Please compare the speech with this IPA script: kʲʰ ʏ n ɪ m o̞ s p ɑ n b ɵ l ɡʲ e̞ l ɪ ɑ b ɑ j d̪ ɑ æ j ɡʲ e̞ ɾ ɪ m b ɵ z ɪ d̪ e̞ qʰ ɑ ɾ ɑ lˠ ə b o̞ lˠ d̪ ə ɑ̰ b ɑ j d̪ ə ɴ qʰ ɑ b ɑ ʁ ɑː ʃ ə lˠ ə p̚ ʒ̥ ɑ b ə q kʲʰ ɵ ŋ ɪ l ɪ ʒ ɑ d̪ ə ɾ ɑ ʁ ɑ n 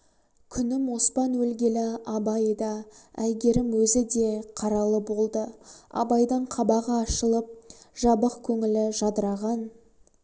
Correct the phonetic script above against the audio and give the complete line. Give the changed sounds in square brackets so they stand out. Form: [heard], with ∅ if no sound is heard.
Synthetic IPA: kʲʰ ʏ n ɪ m o̞ s p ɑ n [w] ɵ l ɡʲ e̞ l ɪ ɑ b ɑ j d̪ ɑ æ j ɡʲ e̞ ɾ ɪ m [w] ɵ z ɪ d̪ e̞ qʰ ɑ ɾ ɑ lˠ ə b o̞ lˠ d̪ ə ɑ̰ b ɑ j d̪ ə ɴ qʰ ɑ b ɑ ʁ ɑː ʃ ə lˠ ə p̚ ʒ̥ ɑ b ə q kʲʰ ɵ ŋ ɪ l ɪ ʒ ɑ d̪ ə ɾ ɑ ʁ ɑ n